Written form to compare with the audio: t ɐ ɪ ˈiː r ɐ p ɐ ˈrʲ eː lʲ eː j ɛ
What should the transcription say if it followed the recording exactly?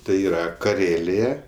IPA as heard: t ɐ ɪ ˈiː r ɐ k ɐ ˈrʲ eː lʲ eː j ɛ